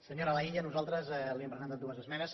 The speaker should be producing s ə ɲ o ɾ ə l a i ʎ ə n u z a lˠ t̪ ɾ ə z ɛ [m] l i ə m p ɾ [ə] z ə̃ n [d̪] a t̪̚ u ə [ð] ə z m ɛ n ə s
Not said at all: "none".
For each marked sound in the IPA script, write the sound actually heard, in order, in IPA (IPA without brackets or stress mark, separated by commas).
none, ə, t̪, z